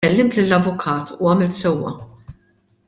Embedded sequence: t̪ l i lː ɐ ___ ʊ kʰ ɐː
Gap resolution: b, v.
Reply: v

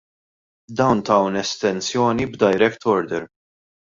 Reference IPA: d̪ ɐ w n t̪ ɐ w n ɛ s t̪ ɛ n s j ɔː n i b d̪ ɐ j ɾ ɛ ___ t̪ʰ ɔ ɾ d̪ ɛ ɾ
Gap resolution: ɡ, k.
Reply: k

